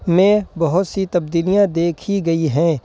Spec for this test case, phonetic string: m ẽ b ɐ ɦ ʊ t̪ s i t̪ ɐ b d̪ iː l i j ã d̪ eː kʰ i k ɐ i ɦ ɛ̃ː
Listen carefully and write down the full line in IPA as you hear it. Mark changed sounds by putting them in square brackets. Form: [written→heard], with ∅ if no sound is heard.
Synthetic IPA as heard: m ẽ b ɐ ɦ ʊ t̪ s i t̪ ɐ b d̪ iː l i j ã d̪ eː kʰ i [k→ɡ] ɐ i ɦ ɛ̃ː